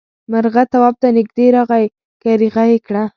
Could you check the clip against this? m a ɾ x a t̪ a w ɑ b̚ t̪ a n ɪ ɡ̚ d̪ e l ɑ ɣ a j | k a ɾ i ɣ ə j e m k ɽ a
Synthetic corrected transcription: m a ɾ ɣ a t̪ a w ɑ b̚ t̪ a n ɪ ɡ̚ d̪ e ɾ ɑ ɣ a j | k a ɾ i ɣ a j e k ɽ a

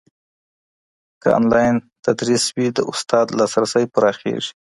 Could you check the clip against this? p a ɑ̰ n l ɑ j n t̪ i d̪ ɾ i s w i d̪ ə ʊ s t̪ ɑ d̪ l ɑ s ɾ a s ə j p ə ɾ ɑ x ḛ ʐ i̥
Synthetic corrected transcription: k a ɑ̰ n l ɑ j n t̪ a d̪ ɾ i s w i d̪ ə ʊ s t̪ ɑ d̪ l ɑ s ɾ a s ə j p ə ɾ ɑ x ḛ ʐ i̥

